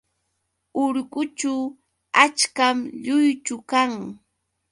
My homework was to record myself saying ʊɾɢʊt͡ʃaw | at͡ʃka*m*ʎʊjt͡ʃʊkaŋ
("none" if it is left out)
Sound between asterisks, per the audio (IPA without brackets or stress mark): m